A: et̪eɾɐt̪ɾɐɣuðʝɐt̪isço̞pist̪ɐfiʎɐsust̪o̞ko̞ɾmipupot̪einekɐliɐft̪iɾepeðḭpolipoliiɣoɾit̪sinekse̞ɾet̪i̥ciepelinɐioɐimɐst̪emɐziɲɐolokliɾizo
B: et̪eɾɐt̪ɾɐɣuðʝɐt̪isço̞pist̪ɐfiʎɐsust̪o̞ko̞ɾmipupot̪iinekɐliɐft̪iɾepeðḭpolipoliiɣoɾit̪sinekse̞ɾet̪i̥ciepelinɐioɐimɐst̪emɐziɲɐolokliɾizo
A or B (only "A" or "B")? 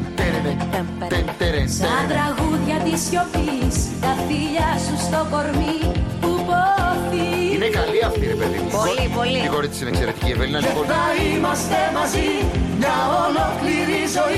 B